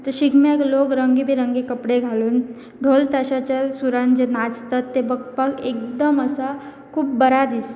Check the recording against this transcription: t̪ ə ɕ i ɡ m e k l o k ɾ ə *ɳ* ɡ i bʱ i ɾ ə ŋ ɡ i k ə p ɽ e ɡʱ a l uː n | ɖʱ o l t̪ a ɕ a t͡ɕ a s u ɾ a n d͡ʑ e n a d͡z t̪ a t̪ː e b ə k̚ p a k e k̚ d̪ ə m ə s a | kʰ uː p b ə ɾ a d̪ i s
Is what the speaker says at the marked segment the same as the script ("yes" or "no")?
no